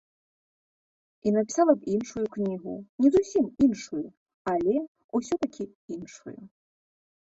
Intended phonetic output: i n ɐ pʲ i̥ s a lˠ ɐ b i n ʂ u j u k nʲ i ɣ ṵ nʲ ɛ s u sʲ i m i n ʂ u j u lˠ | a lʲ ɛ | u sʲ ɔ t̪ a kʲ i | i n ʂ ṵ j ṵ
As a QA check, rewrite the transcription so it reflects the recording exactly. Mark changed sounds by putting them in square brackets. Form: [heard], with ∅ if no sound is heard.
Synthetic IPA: i n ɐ pʲ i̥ s a lˠ ɐ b i n ʂ u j u k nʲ i ɣ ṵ nʲ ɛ [z] u sʲ i m i n ʂ u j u [∅] | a lʲ ɛ | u sʲ ɔ t̪ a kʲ i | i n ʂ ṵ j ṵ